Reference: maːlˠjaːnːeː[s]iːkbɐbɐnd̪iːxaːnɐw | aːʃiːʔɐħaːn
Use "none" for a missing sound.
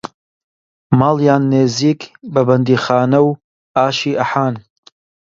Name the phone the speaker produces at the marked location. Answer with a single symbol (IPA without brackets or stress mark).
z